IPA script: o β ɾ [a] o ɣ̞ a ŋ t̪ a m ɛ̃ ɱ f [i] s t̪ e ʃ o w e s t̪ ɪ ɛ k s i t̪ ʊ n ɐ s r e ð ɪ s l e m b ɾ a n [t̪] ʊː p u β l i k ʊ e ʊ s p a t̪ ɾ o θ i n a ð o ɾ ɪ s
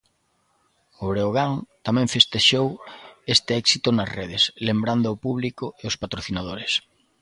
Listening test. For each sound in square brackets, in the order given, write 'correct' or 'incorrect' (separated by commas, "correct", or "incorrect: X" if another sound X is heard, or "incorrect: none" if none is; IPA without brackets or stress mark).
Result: incorrect: e, incorrect: e, incorrect: d̪